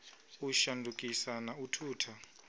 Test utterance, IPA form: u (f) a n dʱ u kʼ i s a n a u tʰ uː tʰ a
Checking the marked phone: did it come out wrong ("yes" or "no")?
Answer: yes